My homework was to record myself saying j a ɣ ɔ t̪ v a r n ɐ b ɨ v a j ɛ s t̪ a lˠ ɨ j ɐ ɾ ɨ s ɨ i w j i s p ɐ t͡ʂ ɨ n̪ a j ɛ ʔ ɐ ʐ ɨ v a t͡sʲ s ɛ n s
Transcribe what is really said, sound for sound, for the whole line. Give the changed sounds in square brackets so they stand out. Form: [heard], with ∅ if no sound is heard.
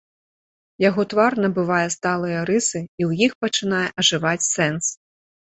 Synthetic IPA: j a ɣ ɔ t̪ v a r n ɐ b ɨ v a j ɛ s t̪ a lˠ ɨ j ɐ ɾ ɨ s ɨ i w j i [x] p ɐ t͡ʂ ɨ n̪ a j ɛ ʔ ɐ ʐ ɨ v a t͡sʲ s ɛ n s